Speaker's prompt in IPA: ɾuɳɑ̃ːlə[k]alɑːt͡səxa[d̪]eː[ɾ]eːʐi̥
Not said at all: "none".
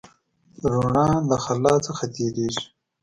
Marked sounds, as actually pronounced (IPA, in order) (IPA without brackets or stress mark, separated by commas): x, t̪, ɾ